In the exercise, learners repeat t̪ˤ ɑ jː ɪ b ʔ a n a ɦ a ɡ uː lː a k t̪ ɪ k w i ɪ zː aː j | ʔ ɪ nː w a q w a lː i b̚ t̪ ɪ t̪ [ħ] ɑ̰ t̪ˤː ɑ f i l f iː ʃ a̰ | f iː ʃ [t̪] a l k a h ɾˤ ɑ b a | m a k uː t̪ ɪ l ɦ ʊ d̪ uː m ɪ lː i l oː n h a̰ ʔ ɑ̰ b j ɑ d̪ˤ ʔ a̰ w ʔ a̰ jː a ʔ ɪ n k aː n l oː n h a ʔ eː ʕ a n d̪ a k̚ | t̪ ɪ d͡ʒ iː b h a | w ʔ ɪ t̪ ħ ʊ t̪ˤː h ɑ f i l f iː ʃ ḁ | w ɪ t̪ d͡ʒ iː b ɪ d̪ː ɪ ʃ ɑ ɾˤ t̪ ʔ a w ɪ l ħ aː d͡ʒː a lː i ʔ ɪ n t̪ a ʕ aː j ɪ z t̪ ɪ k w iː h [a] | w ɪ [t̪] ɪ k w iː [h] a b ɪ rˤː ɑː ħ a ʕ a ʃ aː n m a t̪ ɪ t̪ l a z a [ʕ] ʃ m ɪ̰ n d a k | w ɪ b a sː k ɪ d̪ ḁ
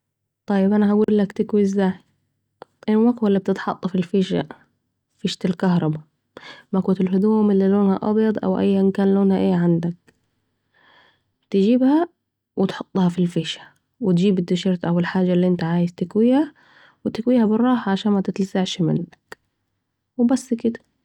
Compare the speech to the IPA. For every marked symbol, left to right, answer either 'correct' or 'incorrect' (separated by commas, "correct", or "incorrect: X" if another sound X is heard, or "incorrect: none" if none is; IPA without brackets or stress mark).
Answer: correct, correct, correct, correct, correct, correct